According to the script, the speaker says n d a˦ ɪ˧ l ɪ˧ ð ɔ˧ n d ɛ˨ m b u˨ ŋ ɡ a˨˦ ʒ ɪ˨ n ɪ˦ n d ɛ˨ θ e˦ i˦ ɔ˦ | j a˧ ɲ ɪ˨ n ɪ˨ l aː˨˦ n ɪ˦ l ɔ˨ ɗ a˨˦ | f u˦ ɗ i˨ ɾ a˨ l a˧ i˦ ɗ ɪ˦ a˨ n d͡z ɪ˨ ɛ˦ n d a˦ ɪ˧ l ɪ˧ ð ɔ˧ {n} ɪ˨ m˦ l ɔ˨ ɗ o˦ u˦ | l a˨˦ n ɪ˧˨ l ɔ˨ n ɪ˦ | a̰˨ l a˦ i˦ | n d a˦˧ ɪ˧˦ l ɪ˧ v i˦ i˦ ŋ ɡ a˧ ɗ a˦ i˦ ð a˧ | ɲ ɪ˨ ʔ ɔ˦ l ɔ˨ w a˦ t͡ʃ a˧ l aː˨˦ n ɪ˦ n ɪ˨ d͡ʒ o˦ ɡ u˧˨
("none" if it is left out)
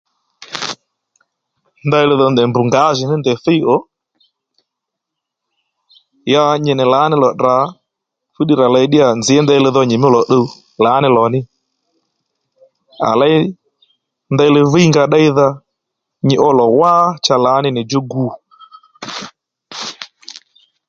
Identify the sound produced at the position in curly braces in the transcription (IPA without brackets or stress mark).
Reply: ɲ